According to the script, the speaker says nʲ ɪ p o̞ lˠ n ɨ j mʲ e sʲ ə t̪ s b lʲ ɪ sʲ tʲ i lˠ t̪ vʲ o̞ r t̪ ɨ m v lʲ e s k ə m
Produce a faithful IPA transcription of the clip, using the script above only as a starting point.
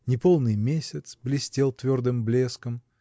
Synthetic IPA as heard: nʲ ɪ p o̞ lˠ n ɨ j mʲ e sʲ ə t̪ s b lʲ ɪ sʲ tʲ e lˠ t̪ vʲ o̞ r d̪ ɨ m b lʲ e s k ə m